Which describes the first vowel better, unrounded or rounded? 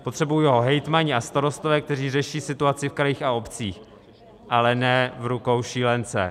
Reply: rounded